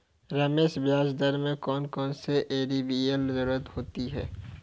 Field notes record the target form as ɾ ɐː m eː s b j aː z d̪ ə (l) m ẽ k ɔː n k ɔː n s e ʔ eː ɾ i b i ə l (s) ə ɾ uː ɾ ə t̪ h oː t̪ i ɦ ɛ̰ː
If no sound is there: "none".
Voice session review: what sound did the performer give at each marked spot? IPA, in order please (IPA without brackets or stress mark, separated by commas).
ɾ, z